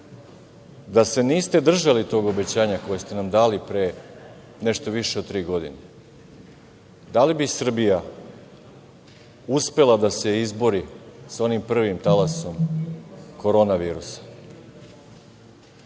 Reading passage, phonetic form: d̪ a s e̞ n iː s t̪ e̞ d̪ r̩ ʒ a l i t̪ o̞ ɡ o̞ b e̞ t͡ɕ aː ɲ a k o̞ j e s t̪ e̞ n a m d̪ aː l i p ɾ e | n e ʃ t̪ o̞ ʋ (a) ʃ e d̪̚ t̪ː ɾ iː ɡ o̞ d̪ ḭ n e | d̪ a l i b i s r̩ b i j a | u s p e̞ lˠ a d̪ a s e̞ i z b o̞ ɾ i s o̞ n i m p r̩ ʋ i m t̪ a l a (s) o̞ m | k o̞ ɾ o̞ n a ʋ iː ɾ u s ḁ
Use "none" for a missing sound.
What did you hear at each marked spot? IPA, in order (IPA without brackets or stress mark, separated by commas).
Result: i, s